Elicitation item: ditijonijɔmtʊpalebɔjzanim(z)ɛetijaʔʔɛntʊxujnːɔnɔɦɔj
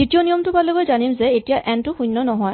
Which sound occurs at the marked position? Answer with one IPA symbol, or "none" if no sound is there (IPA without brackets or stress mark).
z